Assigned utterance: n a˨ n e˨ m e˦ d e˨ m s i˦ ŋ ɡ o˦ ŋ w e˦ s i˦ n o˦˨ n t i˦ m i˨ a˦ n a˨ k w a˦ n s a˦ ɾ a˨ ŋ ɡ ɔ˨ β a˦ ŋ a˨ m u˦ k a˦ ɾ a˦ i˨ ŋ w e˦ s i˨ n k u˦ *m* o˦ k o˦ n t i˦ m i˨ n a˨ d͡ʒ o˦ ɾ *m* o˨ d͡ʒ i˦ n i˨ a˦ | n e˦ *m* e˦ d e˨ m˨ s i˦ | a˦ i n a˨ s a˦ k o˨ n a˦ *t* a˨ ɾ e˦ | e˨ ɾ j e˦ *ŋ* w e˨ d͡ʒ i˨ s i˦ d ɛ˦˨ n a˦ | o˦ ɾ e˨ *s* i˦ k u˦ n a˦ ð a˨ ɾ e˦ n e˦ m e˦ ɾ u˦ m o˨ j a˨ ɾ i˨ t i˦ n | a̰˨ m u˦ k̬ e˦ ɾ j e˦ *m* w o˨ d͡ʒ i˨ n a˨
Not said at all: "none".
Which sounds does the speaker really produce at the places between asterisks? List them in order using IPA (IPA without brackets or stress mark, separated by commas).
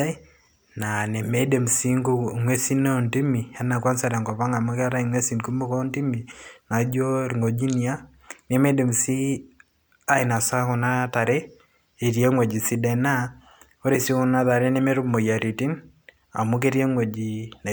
m, ŋ, m, t, ŋ, s, ŋ